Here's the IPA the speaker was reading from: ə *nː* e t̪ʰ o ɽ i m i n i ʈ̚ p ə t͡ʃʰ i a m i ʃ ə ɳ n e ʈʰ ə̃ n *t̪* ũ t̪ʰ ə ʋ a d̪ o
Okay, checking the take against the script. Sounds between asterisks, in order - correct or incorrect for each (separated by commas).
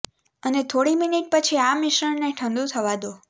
incorrect, incorrect